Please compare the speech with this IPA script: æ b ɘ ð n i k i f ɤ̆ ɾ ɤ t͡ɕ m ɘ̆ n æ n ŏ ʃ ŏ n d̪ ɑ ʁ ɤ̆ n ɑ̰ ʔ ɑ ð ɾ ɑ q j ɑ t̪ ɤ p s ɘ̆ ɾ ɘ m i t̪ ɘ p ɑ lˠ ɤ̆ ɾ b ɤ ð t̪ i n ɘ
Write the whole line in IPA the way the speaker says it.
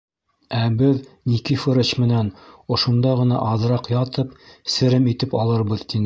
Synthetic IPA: æ b ɘ ð n i k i f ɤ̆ ɾ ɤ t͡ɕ m ɘ̆ n æ n ŏ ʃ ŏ n d̪ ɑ ʁ ɤ̆ n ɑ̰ ʔ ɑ ð ɾ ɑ q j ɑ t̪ ɤ p s ɘ̆ ɾ ɘ m i t̪ ɘ p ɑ lˠ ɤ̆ ɾ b ɤ ð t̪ i n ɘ

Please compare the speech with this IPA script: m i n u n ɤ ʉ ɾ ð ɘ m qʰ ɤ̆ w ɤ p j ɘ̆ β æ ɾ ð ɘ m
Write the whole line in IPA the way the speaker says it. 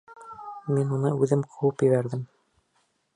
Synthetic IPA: m i n u n ɤ ʉ ð ɘ m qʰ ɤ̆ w ɤ p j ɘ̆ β æ ɾ ð ɘ m

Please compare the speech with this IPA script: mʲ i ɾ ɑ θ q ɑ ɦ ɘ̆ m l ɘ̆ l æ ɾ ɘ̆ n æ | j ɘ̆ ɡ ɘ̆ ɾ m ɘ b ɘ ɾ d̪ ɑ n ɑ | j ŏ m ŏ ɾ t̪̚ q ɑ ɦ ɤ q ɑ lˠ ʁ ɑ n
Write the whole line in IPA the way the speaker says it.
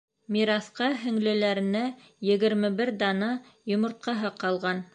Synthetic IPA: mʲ i ɾ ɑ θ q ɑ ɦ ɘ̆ ŋ l ɘ̆ l æ ɾ ɘ̆ n æ | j ɘ̆ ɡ ɘ̆ ɾ m ɘ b ɘ ɾ d̪ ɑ n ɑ | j ŏ m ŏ ɾ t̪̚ q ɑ ɦ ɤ q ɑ lˠ ʁ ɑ n

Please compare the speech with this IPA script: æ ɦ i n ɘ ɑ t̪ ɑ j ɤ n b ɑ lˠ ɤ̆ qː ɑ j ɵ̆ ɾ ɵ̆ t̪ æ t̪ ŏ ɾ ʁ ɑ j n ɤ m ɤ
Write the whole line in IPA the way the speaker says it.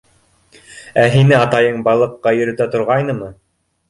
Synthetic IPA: æ ɦ i n ɘ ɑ t̪ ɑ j ɤ ɴ b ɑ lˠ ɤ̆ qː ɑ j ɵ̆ ɾ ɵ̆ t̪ æ t̪ ŏ ɾ ʁ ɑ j n ɤ m ɤ

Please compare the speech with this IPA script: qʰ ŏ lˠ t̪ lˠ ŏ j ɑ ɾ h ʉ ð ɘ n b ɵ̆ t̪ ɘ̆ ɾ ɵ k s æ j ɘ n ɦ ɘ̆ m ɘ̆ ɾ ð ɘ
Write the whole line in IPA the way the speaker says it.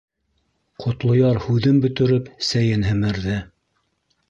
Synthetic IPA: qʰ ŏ t̪ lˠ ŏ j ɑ ɾ h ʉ ð ɘ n b ɵ̆ t̪ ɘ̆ ɾ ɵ p s æ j ɘ n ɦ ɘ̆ m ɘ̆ ɾ ð ɘ

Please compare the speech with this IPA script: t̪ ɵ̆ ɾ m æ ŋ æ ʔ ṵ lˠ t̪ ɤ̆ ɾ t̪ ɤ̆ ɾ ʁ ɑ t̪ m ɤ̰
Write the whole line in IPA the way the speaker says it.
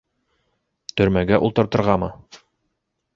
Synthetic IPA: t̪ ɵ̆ ɾ m æ ɡ æ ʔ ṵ lˠ t̪ ɤ̆ ɾ t̪ ɤ̆ ɾ ʁ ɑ m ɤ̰

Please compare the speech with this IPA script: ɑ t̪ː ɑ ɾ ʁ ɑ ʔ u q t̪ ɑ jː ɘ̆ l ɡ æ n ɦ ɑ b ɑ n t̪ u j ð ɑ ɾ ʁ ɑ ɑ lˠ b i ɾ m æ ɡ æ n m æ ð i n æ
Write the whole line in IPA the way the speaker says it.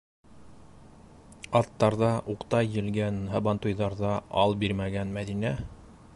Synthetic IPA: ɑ t̪ː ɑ ɾ ð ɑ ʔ u q t̪ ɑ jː ɘ̆ l ɡ æ n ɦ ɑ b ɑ n t̪ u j ð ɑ ɾ ð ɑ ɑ lˠ b i ɾ m æ ɡ æ n m æ ð i n æ

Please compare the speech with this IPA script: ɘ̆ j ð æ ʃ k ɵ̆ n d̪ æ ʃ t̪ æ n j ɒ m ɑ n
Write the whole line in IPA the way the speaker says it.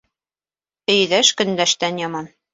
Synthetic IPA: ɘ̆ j ð æ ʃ k ɵ̆ n d̪ æ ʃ t̪ æ n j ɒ m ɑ n

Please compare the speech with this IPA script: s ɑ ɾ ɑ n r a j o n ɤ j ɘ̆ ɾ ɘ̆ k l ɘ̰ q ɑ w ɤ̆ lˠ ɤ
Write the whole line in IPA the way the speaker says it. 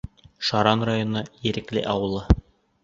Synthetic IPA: ʃ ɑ ɾ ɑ n r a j o n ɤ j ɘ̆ ɾ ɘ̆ k l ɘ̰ ʔ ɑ w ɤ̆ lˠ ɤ

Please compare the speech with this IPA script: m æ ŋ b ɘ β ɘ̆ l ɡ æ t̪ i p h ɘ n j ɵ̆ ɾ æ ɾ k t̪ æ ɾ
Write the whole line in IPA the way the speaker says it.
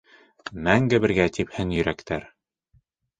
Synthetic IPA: m æ ŋ ɡ ɘ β ɘ̆ ɾ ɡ æ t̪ i p h ɘ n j ɵ̆ ɾ æ k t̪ æ ɾ

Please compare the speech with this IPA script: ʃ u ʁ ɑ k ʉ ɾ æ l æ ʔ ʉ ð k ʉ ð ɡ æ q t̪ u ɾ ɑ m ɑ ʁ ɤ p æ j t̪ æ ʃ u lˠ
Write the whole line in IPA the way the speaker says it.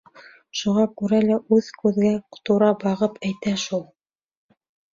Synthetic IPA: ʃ u ʁ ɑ k ʉ ɾ æ l æ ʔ ʉ ð k ʉ ð ɡ æ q t̪ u ɾ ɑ b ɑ ʁ ɤ p æ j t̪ æ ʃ u lˠ

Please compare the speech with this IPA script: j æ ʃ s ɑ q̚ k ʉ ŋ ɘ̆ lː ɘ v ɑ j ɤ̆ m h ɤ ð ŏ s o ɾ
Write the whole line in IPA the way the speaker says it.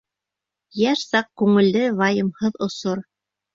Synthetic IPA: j æ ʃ s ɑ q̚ k ʉ ŋ ɘ̆ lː ɘ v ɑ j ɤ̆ m h ɤ ð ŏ s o ɾ

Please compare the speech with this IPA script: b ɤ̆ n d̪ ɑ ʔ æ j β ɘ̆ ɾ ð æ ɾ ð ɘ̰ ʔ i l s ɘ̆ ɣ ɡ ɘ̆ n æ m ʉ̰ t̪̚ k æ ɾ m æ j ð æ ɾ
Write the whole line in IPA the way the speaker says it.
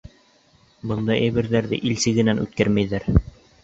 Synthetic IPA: b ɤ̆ n d̪ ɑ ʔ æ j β ɘ̆ ɾ ð æ ɾ ð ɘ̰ ʔ i l s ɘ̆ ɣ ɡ ɘ̆ n æ n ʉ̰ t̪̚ k æ ɾ m æ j ð æ ɾ

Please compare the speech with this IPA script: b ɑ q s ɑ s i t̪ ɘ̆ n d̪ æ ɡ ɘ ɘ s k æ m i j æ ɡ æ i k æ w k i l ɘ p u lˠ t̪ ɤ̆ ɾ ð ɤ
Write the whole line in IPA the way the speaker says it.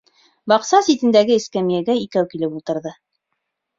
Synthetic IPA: b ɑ q s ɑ s i t̪ ɘ̆ n d̪ æ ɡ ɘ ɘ s k æ m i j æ ɡ æ i k æ w k i l ɘ p u lˠ t̪ ɤ̆ ɾ ð ɤ

